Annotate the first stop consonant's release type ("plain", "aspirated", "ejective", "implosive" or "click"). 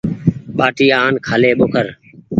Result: implosive